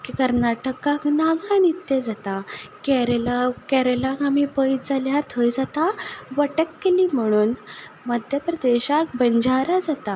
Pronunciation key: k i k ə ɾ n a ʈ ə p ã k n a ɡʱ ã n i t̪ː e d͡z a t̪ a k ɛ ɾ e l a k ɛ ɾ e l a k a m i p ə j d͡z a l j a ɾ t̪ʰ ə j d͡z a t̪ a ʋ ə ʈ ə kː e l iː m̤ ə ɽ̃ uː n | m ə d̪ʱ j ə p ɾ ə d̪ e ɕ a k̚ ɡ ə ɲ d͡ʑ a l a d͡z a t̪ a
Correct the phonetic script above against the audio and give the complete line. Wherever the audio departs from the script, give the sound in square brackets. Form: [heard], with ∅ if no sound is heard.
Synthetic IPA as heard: k i k ə ɾ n a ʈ ə [k] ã k n a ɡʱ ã n i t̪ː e d͡z a t̪ a k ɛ ɾ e l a k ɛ ɾ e l a k a m i p ə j d͡z a l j a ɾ t̪ʰ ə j d͡z a t̪ a ʋ ə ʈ ə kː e l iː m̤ ə ɽ̃ uː n | m ə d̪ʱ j ə p ɾ ə d̪ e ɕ a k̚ [b] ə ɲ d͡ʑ a [ɾ] a d͡z a t̪ a